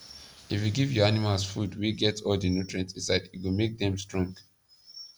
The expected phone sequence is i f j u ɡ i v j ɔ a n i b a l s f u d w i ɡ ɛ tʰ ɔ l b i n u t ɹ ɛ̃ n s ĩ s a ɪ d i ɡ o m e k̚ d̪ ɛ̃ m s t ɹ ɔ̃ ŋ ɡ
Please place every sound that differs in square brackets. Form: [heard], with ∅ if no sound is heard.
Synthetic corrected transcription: i f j u ɡ i v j ɔ a n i [m] a l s f u d w i ɡ ɛ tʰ ɔ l [d] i n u t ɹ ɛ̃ n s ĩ s a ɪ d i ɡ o m e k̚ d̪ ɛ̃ m s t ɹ ɔ̃ ŋ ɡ